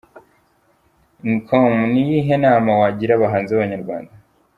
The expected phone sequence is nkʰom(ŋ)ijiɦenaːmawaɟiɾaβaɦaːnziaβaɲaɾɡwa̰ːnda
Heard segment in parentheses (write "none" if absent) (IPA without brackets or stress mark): n